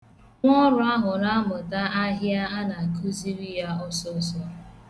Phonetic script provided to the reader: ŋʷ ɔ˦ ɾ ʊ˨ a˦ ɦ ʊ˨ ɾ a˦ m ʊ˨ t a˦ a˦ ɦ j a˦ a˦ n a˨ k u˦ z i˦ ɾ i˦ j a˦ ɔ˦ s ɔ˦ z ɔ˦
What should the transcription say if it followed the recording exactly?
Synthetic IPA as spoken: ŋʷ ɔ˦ ɾ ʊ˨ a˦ ɦ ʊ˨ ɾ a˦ m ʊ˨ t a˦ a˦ ɦ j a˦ a˦ n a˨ k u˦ z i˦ ɾ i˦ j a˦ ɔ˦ s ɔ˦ s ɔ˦